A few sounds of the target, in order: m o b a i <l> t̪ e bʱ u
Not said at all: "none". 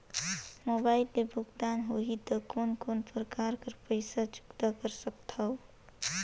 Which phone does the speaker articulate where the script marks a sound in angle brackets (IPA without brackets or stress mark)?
l